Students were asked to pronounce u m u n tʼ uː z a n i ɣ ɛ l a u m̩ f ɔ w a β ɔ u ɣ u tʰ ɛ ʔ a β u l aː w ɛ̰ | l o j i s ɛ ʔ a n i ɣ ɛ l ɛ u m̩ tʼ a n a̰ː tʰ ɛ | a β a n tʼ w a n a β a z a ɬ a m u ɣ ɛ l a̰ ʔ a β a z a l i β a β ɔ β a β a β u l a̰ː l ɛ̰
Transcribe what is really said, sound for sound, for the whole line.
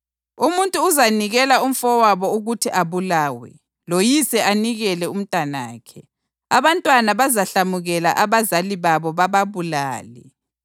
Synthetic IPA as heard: u m u n tʼ uː z a n i ɣ ɛ l a u m̩ f ɔ w a β ɔ u ɣ u tʰ i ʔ a β u l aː w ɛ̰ | l o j i s ɛ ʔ a n i ɣ ɛ l ɛ u m̩ tʼ a n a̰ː kʰ ɛ | a β a n tʼ w a n a β a z a ɬ a m u ɣ ɛ l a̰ ʔ a β a z a l i β a β ɔ β a β a β u l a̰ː l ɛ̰